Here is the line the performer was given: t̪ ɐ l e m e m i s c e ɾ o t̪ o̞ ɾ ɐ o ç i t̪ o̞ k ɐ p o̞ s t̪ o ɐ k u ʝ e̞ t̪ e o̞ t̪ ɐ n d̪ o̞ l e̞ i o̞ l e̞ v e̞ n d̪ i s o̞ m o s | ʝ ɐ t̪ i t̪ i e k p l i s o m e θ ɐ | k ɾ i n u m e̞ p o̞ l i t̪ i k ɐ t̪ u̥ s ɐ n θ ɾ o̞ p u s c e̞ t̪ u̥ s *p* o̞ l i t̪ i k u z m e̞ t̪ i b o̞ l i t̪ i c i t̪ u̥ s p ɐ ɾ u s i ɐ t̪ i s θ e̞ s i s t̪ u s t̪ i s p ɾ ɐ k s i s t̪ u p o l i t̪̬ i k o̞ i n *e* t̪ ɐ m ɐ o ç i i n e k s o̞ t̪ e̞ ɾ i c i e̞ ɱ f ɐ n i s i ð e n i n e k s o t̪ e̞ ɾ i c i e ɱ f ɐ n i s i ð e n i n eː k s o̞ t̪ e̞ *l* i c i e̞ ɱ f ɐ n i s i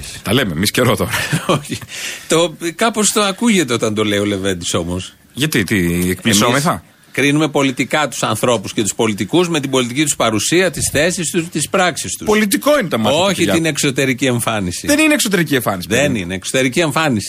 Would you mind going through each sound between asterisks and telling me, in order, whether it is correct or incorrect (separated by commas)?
correct, correct, incorrect